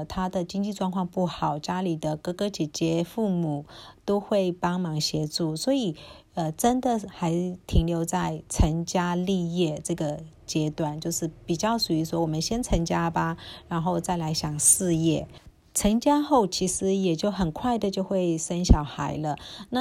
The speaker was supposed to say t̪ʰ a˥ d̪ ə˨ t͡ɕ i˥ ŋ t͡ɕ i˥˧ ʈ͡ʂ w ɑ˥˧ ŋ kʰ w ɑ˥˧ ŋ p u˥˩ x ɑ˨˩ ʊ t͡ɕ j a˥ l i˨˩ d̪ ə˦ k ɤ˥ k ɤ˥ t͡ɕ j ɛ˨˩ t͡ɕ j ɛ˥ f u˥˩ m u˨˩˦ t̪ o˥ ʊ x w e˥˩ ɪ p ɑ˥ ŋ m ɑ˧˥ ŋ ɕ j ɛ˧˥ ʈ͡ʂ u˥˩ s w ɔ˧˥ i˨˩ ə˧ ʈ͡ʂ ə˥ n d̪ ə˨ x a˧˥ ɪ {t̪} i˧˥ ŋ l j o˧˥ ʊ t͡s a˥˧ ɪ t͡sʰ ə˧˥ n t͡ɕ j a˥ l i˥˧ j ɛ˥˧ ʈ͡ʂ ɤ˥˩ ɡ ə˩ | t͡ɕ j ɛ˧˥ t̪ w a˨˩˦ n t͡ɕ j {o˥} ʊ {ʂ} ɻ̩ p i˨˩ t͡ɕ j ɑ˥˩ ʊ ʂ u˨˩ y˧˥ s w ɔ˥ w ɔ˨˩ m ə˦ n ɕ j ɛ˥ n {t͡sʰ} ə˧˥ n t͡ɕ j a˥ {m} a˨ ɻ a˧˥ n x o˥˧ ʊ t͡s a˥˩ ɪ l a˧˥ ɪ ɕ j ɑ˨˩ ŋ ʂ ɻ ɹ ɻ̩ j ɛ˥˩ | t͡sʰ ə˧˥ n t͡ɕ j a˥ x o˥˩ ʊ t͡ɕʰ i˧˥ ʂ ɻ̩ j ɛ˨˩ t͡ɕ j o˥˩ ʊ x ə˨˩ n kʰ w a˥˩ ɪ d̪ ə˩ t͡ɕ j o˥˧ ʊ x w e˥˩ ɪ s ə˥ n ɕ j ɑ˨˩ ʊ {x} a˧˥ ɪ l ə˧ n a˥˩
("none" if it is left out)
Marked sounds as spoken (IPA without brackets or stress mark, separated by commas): t̪ʰ, o˥˧, ʂ, t͡sʰ, b, x